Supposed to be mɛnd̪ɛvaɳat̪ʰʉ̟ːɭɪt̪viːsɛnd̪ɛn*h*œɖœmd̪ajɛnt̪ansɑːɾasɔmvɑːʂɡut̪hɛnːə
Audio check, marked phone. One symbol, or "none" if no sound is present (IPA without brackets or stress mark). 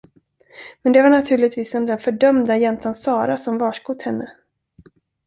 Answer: f